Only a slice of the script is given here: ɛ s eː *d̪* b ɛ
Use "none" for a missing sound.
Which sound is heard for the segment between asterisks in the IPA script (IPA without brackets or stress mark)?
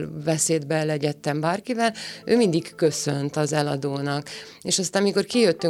d̪